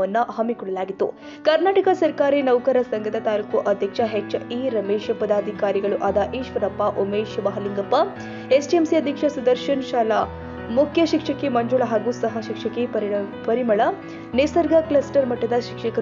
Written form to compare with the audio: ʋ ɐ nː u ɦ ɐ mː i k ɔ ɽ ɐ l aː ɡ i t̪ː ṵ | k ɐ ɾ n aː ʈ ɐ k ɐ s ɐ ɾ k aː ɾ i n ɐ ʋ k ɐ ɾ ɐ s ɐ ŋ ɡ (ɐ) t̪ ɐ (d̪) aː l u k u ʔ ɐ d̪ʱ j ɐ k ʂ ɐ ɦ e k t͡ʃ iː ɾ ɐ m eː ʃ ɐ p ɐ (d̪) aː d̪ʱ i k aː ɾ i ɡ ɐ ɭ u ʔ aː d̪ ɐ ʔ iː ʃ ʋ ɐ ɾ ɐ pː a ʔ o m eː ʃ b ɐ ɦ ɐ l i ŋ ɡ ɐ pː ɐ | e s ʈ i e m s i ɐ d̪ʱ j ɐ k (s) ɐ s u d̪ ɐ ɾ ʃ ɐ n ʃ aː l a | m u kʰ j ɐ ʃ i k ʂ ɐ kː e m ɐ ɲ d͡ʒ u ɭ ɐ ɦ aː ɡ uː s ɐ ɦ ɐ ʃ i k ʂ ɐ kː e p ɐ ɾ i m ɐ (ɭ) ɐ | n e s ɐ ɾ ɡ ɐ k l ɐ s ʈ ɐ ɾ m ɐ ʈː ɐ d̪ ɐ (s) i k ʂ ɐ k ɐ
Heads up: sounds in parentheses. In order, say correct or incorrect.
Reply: correct, incorrect, correct, incorrect, correct, incorrect

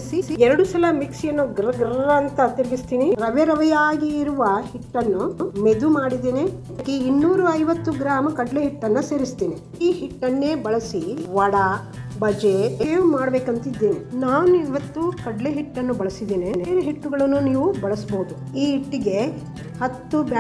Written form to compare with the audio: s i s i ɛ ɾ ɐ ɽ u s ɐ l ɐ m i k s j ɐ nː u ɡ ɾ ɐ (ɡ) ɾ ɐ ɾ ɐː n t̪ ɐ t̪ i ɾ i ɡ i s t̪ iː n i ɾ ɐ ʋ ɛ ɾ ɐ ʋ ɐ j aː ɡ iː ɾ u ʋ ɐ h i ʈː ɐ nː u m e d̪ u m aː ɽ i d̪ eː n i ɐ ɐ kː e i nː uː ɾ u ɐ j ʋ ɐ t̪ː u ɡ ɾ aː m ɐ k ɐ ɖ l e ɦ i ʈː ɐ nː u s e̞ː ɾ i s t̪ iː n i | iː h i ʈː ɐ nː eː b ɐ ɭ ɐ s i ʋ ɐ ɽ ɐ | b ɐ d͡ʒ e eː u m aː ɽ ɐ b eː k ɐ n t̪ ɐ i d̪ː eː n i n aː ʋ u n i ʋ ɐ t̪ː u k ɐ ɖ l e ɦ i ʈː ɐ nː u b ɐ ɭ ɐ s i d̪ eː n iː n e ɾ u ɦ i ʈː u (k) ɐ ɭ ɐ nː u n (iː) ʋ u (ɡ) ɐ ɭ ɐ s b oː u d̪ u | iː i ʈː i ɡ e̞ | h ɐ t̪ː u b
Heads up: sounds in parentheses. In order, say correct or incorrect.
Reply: correct, incorrect, correct, incorrect

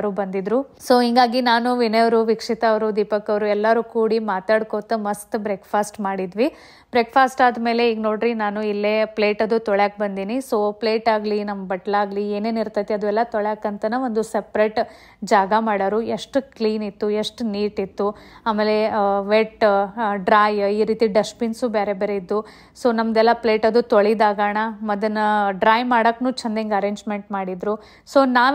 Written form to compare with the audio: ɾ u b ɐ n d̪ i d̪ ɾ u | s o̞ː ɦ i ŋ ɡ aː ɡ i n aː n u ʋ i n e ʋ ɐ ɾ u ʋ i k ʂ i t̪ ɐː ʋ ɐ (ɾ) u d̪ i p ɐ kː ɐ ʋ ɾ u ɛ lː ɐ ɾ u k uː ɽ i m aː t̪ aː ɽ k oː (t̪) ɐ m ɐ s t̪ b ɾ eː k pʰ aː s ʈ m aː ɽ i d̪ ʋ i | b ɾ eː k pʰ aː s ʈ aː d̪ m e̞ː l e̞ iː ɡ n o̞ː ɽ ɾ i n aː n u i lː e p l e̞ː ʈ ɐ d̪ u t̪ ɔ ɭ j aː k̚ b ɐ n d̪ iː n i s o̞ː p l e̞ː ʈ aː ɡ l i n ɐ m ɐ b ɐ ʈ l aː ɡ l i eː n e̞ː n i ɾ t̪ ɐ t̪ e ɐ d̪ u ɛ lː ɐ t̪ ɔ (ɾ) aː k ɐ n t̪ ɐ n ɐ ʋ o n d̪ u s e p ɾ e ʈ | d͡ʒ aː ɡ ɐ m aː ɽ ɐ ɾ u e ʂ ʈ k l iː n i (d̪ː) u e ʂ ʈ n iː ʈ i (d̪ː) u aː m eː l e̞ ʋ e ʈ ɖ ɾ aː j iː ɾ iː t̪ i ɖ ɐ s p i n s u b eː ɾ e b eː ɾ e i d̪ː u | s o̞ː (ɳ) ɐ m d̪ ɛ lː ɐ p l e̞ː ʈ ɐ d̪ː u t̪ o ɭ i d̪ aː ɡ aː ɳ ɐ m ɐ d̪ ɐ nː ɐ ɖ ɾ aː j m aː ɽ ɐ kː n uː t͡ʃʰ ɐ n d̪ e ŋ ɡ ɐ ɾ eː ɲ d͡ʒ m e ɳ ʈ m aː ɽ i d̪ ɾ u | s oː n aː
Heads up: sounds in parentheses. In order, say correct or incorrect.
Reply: correct, correct, incorrect, incorrect, incorrect, incorrect

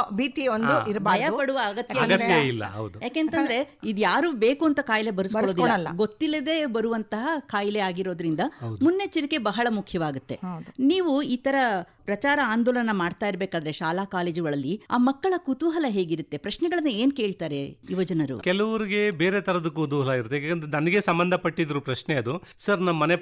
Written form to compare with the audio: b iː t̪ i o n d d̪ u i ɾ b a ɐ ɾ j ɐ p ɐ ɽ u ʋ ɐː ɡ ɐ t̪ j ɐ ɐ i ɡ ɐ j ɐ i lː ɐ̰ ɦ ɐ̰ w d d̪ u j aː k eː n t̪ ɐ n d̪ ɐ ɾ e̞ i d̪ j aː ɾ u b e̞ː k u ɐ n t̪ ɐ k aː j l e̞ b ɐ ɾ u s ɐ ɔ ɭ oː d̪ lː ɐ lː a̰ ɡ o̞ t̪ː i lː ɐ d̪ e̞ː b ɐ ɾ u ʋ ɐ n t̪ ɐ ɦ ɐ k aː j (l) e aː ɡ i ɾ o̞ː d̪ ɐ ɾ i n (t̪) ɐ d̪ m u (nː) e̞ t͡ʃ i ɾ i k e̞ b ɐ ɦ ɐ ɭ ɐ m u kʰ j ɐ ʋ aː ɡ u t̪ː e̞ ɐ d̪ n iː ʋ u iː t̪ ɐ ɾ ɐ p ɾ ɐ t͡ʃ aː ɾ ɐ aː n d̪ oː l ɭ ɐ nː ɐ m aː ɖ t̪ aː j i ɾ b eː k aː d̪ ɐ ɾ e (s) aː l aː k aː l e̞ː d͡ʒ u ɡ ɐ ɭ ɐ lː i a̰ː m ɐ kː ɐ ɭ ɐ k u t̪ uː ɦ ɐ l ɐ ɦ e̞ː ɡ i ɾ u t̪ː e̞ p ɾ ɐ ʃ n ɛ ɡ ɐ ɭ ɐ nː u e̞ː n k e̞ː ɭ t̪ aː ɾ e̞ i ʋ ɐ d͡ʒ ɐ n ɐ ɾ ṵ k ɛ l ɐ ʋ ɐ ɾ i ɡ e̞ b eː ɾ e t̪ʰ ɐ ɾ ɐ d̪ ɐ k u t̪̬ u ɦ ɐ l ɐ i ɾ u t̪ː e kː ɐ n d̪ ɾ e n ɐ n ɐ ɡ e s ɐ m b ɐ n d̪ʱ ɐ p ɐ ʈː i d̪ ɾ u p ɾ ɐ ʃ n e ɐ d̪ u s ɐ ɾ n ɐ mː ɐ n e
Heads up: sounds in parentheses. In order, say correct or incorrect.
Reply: correct, incorrect, correct, incorrect

